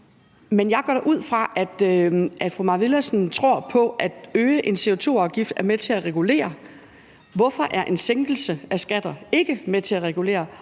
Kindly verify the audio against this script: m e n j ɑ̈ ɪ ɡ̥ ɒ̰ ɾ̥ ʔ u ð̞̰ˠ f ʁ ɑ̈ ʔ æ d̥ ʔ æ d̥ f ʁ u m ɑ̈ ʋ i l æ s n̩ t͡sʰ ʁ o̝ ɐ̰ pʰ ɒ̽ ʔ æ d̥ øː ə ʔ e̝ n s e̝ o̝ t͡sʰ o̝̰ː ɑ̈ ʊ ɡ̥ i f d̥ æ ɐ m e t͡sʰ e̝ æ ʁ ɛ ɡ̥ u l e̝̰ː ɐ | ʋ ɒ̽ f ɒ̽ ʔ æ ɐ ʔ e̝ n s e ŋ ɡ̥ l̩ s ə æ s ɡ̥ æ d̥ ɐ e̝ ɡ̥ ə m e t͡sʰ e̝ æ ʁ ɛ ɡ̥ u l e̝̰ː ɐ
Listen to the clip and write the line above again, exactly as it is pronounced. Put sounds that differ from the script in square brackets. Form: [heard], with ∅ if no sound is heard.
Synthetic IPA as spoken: m e n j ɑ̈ ɪ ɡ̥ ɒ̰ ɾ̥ ʔ u ð̞̰ˠ f ʁ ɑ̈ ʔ æ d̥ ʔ æ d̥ f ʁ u m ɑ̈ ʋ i l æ s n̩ t͡sʰ ʁ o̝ ɐ̰ pʰ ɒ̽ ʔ æ d̥ øː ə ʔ e̝ n s e̝ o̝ t͡sʰ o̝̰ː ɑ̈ ʊ ɡ̥ i f d̥ æ ɐ m e t͡sʰ e̝ æ ʁ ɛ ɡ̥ u l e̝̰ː ɐ | ʋ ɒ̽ f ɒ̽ ʔ æ ɐ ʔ e̝ n s e ŋ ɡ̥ l̩ s ə æ s ɡ̥ æ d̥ ɐ e̝ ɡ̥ ə m e t͡sʰ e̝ æ ʁ ɛ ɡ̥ u l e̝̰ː ɐ